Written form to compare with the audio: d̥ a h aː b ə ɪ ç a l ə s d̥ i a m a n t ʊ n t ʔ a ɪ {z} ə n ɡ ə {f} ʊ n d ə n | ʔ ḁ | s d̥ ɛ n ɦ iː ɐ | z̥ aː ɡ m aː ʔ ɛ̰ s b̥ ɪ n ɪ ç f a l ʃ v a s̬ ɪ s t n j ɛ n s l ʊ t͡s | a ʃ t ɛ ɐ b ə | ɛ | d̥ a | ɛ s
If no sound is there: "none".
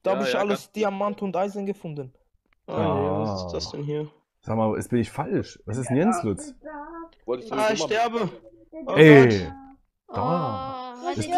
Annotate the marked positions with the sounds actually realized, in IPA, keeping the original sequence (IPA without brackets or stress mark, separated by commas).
z, f